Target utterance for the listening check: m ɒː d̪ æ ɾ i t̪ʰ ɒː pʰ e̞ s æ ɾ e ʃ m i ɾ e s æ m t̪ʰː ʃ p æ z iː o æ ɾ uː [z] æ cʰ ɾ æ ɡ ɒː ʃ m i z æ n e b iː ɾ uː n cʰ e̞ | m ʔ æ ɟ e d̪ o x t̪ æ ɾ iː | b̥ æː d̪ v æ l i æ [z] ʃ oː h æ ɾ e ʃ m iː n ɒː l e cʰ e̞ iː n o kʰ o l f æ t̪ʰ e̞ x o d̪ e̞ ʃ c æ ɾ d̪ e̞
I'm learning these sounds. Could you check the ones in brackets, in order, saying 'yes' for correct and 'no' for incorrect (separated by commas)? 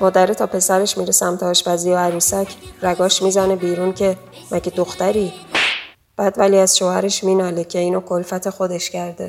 no, yes